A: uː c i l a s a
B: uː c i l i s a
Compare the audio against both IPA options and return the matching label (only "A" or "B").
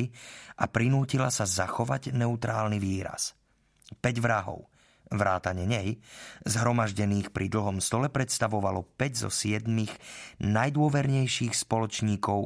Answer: A